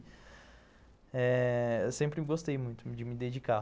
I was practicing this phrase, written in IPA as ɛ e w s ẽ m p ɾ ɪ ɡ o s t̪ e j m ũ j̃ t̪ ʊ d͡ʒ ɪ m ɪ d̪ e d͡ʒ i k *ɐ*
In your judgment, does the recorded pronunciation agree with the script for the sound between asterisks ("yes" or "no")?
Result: no